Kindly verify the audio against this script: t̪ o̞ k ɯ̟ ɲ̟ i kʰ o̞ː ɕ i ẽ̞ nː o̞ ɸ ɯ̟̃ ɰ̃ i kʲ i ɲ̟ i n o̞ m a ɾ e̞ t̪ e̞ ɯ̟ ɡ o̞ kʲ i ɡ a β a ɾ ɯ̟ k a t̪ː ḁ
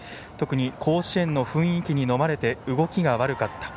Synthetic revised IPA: t̪ o̞ k ɯ̟ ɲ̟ i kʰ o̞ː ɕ i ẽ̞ nː o̞ ɸ ɯ̟̃ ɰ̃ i kʲ i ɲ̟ i n o̞ m a ɾ e̞ t̪ e̞ ɯ̟ ɡ o̞ kʲ i ɡ a β a ɾ ɯ̟ k a t̪ː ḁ